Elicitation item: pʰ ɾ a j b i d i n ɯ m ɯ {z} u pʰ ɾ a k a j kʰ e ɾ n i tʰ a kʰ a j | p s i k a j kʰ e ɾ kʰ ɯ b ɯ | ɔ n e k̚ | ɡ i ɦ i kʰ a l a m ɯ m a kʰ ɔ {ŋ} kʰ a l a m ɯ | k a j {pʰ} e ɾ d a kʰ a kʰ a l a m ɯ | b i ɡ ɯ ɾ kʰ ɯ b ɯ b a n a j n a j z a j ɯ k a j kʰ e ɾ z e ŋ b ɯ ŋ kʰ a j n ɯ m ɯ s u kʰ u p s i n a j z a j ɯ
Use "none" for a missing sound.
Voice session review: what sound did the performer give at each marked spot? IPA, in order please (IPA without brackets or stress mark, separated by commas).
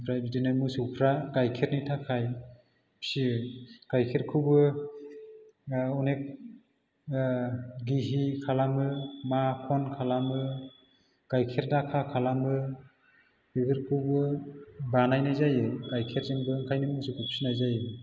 s, n, kʰ